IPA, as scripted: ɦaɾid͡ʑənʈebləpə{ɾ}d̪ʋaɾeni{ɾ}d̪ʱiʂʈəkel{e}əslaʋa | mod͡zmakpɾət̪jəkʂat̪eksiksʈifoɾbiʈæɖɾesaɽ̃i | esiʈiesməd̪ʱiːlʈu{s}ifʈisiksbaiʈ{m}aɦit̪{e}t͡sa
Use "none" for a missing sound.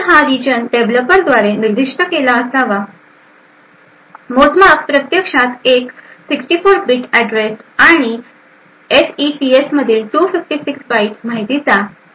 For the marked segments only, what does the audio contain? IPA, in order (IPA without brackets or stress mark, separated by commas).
ɾ, ɾ, a, f, m, i